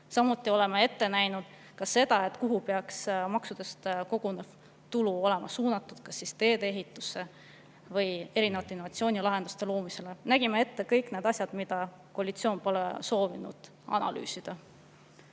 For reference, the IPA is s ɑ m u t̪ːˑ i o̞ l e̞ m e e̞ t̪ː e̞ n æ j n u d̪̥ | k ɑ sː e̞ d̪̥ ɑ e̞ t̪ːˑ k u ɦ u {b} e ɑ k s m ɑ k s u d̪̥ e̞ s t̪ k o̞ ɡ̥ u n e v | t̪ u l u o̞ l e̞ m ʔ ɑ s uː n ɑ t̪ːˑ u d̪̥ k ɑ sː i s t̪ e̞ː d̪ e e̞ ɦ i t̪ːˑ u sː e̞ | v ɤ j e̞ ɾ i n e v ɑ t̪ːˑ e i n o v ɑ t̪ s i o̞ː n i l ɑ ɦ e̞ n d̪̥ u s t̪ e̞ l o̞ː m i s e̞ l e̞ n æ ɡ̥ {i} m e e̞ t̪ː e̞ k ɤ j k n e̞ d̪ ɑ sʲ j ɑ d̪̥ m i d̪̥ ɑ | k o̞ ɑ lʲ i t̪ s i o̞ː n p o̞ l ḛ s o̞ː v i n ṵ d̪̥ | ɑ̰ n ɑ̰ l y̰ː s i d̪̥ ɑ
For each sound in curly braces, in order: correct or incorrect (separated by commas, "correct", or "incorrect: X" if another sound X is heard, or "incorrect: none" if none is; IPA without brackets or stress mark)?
incorrect: p, correct